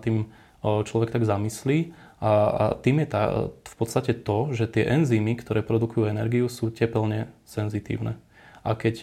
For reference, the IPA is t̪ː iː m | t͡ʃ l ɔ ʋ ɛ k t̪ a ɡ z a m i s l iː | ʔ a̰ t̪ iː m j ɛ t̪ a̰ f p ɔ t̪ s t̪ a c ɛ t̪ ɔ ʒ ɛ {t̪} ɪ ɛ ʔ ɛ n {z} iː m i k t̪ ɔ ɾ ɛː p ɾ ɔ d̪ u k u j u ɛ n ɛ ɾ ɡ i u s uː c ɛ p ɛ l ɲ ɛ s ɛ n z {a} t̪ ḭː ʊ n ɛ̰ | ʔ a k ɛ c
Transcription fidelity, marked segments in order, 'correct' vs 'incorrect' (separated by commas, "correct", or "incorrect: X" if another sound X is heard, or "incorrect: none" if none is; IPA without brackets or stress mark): correct, correct, incorrect: i